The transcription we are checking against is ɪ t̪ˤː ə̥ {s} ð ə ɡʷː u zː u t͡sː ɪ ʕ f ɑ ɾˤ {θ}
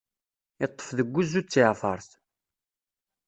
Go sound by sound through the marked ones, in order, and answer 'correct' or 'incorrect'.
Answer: incorrect, correct

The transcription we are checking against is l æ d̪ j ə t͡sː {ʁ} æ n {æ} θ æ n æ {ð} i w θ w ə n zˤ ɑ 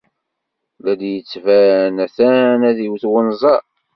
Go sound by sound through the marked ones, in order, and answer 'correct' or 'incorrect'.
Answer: incorrect, correct, correct

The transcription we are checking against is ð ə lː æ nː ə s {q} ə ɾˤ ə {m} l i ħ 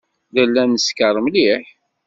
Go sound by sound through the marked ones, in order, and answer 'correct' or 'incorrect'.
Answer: incorrect, correct

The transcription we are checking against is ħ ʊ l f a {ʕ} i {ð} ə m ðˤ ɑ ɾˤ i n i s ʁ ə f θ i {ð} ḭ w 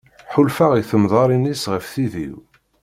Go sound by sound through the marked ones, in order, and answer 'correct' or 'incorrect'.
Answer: incorrect, incorrect, correct

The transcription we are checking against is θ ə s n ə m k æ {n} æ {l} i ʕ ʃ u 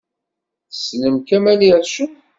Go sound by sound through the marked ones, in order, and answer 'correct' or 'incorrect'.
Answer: incorrect, correct

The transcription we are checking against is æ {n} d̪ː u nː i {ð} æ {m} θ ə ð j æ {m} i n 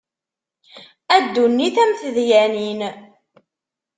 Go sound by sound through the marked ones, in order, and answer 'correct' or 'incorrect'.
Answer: incorrect, incorrect, correct, incorrect

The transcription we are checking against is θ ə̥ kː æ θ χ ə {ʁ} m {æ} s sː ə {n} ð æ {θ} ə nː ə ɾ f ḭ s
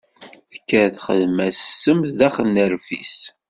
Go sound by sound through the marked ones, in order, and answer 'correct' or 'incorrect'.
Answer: incorrect, correct, incorrect, incorrect

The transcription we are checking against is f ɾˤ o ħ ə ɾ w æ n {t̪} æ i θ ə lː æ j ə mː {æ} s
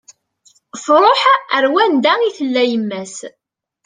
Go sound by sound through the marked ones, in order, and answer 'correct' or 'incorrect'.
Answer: incorrect, correct

